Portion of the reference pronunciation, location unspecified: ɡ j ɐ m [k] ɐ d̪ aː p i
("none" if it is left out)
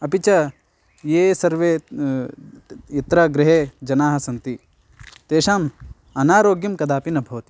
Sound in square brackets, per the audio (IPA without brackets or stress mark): k